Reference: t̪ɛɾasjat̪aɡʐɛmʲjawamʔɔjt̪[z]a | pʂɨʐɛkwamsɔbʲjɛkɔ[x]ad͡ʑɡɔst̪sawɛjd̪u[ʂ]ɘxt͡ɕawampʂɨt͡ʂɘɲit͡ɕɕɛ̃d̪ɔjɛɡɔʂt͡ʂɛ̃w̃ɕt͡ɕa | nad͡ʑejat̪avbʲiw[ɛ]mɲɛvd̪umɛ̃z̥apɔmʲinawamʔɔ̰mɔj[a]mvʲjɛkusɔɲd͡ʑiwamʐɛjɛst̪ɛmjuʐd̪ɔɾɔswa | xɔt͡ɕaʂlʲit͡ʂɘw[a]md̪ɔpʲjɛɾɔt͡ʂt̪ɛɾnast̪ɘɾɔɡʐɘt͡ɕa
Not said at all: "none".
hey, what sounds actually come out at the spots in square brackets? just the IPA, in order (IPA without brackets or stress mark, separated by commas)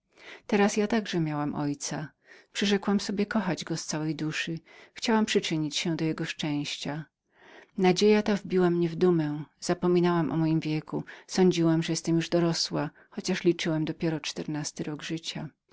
s, x, ʂ, a, i, a